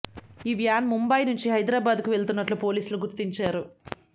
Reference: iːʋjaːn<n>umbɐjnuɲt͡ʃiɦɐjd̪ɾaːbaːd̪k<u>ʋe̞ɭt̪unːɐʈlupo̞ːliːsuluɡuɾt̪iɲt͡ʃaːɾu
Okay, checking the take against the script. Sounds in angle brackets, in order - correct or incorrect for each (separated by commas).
incorrect, correct